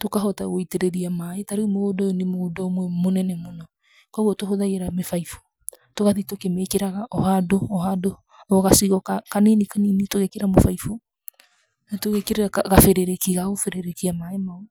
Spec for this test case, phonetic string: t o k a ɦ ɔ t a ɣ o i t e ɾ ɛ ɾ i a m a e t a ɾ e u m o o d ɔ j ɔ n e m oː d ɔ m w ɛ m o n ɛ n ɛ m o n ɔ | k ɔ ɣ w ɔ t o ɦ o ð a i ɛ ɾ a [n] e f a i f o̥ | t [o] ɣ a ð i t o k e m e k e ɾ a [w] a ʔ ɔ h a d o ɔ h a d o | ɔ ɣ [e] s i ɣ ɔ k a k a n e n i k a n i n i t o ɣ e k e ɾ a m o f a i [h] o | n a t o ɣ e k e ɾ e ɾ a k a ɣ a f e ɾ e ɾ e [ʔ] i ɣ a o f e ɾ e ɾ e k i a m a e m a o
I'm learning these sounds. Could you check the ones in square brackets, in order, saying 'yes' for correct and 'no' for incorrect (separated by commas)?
no, yes, no, no, no, no